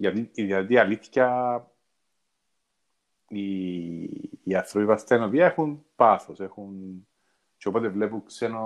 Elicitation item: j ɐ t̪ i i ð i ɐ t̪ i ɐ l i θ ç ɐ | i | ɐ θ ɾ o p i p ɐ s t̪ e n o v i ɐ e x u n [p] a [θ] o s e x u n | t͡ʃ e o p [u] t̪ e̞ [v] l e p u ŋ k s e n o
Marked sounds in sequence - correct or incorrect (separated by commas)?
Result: correct, correct, incorrect, correct